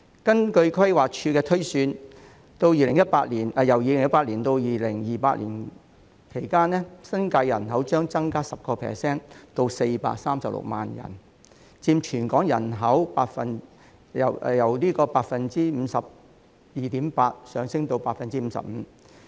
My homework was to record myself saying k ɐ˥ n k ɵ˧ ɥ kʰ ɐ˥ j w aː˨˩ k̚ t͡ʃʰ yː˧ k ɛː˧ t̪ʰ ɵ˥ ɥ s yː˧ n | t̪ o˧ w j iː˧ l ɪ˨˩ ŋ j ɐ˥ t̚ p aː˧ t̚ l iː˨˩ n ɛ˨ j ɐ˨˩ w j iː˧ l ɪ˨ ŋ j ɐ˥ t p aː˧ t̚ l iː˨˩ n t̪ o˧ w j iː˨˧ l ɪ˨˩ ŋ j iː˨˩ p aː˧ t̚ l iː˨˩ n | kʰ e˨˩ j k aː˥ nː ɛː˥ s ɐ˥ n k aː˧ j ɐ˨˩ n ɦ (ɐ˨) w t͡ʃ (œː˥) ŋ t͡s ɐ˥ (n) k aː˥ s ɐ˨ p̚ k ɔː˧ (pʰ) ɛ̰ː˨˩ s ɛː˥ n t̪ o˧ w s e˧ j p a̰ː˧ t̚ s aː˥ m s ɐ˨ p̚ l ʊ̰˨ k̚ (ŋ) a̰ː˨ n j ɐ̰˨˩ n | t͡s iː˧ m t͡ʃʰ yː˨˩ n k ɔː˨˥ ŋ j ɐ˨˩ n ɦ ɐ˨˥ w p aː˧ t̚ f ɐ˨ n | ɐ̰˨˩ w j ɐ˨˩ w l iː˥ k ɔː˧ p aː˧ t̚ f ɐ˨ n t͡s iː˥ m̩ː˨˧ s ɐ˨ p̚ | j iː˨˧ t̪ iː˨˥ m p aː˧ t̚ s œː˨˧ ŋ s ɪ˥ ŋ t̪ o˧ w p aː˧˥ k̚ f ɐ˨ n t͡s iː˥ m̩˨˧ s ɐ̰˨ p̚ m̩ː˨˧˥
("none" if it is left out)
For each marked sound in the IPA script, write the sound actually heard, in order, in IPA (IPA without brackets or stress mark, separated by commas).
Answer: ɐ˨˥, œː˥, ŋ, pʰ, m